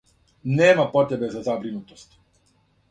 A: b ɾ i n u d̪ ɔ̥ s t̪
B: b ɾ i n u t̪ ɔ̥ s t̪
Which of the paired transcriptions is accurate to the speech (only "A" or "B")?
B